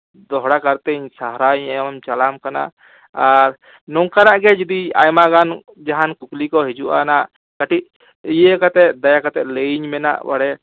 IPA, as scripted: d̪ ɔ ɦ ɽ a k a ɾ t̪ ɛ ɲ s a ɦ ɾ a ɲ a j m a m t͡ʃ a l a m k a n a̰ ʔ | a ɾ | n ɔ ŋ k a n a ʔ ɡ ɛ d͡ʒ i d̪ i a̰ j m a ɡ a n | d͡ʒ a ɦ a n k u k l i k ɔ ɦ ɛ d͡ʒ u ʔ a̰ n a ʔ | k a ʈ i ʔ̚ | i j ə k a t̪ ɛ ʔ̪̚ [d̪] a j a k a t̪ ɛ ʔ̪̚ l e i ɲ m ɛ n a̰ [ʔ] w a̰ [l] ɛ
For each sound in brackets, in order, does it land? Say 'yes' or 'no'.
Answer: yes, yes, no

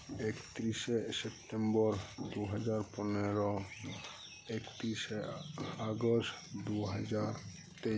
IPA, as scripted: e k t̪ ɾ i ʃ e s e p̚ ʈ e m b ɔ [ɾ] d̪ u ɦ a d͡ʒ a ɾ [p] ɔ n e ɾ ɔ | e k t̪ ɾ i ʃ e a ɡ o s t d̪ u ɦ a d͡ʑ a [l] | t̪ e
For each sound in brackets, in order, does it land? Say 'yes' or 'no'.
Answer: yes, yes, no

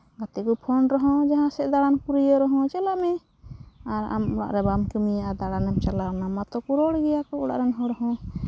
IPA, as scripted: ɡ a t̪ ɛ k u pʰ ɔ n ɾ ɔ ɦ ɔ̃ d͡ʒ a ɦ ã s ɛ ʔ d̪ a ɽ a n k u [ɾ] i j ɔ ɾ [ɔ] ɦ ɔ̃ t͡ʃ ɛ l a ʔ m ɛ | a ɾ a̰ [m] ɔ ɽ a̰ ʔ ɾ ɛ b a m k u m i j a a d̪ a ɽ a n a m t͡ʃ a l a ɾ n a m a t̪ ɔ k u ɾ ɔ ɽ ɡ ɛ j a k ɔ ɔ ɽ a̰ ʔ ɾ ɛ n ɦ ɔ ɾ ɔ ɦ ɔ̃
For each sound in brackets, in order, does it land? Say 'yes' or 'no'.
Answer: yes, yes, yes

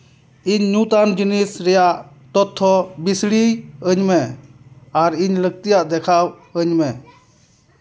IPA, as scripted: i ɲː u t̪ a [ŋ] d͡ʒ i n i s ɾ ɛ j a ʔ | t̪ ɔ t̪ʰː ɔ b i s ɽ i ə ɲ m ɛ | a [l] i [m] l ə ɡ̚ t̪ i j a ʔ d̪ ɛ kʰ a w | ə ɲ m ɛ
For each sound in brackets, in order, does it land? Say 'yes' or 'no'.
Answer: no, no, no

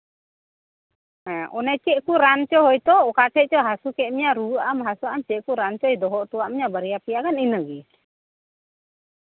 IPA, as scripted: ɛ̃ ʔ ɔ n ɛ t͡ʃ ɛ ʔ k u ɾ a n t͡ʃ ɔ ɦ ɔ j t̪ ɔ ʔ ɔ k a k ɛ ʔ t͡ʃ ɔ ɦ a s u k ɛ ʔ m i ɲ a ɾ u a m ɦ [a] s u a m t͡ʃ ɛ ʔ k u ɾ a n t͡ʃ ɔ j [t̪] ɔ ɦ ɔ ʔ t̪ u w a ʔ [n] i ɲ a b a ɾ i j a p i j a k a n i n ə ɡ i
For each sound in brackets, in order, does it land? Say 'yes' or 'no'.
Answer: yes, no, no

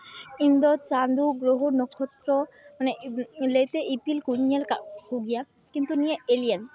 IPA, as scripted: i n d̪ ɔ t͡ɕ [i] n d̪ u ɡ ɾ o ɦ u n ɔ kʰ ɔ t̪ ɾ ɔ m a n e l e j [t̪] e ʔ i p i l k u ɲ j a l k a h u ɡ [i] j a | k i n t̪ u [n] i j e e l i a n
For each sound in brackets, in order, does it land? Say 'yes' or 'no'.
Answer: no, yes, yes, yes

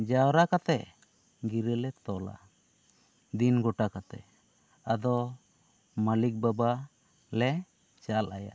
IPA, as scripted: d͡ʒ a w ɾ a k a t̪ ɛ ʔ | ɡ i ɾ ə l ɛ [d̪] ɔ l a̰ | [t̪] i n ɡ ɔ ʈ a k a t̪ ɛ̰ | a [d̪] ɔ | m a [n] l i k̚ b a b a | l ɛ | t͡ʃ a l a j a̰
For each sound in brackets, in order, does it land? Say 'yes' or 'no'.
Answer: no, no, yes, no

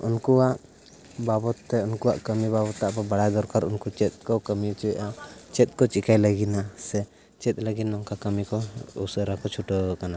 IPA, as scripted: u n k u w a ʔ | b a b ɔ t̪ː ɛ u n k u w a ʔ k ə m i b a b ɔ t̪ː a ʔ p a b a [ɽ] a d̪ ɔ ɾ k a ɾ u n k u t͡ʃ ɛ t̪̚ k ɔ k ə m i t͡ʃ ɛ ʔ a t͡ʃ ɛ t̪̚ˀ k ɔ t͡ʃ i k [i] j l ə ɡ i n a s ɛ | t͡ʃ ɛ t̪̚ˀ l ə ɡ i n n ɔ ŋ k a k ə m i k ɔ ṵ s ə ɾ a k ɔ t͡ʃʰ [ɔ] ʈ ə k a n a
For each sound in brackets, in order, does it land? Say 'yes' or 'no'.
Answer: yes, no, no

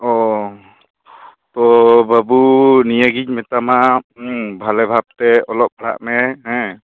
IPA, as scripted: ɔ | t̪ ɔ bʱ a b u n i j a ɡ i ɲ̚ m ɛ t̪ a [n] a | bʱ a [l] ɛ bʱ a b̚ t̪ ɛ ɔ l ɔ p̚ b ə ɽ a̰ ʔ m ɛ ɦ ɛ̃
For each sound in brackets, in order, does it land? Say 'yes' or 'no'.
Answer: no, yes

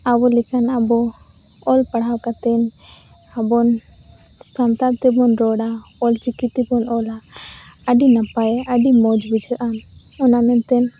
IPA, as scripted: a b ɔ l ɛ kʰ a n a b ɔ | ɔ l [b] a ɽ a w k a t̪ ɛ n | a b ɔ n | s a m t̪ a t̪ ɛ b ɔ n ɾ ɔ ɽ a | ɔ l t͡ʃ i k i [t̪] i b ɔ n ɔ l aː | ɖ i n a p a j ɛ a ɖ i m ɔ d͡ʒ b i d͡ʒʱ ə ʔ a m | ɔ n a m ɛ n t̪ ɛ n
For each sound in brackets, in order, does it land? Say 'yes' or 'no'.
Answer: no, yes

